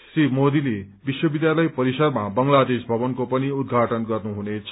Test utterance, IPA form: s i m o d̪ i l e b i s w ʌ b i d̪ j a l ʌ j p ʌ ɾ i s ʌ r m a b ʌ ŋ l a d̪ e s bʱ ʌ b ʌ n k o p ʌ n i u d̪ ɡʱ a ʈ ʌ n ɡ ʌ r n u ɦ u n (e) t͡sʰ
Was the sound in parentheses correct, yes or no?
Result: yes